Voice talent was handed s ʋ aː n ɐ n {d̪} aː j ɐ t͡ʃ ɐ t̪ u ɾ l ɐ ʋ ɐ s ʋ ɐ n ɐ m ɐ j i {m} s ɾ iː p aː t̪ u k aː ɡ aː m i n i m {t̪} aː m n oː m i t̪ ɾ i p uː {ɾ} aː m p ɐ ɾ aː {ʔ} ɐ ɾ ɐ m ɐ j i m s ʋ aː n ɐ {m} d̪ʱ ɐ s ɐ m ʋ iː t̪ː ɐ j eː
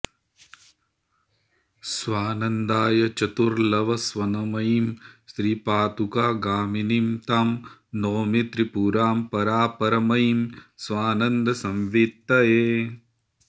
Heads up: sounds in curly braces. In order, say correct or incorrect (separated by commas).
correct, correct, correct, correct, incorrect, incorrect